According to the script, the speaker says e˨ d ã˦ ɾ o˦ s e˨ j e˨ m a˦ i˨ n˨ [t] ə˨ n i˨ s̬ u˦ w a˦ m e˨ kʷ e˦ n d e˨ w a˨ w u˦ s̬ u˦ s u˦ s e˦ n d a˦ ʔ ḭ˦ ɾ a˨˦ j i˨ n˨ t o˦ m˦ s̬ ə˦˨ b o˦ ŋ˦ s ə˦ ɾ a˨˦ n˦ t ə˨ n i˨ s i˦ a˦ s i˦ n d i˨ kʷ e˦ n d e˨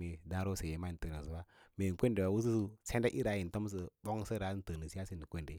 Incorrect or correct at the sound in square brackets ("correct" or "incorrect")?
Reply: correct